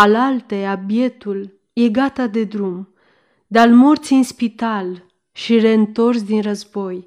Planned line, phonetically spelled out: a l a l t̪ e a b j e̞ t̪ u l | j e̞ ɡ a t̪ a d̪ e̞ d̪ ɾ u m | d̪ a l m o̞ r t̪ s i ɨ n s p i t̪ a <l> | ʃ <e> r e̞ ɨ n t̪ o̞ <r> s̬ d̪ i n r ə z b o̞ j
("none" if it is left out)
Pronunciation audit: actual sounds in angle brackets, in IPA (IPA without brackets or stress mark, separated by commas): l, i, r